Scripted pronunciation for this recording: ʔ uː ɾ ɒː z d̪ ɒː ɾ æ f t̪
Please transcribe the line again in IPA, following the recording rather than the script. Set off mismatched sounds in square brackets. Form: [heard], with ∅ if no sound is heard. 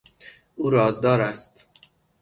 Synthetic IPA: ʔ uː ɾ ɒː z d̪ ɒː ɾ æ [s] t̪